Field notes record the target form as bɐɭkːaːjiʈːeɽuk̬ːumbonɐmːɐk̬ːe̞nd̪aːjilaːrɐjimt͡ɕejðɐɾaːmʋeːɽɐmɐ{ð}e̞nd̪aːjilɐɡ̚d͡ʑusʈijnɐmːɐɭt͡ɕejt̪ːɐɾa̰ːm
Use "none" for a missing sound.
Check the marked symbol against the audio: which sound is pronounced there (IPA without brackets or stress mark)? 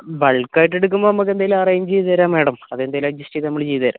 ð